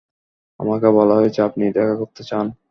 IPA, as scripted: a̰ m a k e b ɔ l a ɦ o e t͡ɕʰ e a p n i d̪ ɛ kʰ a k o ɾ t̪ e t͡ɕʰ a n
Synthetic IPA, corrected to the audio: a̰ m a k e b ɔ l a ɦ o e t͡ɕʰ e a p n i d̪ ɛ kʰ a k o ɾ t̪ e t͡ɕ a n